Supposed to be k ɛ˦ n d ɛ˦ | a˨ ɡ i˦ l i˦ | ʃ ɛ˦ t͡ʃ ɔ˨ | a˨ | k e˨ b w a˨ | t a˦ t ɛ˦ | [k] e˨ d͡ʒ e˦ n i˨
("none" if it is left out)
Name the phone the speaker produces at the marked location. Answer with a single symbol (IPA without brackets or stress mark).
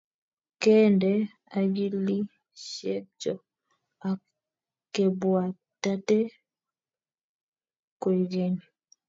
k